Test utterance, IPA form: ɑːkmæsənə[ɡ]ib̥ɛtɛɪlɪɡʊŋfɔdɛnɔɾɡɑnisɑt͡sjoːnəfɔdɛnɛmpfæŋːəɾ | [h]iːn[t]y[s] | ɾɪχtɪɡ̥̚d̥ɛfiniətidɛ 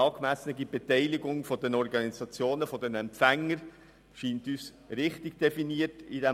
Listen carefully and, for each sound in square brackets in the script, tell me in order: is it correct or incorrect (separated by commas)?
correct, incorrect, correct, correct